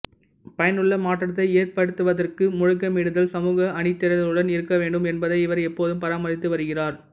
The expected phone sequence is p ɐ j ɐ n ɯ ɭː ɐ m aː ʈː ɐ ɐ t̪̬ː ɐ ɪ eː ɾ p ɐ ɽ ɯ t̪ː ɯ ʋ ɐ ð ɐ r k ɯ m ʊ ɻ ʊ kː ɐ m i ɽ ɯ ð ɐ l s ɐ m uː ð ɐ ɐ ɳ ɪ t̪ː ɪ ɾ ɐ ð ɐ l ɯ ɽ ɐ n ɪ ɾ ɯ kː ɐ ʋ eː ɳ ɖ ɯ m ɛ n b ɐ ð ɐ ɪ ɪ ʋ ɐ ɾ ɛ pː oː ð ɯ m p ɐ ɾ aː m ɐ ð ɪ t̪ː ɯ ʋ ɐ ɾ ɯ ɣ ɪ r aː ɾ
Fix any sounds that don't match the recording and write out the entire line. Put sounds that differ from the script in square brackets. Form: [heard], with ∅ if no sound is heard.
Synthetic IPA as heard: p ɐ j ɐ n ɯ ɭː ɐ m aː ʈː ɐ ɐ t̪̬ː ɐ ɪ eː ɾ p ɐ ɽ ɯ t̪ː ɯ ʋ ɐ ð ɐ r k ɯ m ʊ ɻ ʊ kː ɐ m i ɽ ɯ ð ɐ l s ɐ m uː [ɣ] ɐ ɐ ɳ ɪ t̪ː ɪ ɾ ɐ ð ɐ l ɯ ɽ ɐ n ɪ ɾ ɯ kː ɐ ʋ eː ɳ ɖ ɯ m ɛ n b ɐ ð ɐ ɪ ɪ ʋ ɐ ɾ ɛ pː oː ð ɯ m p ɐ ɾ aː m ɐ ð ɪ t̪ː ɯ ʋ ɐ ɾ ɯ ɣ ɪ r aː ɾ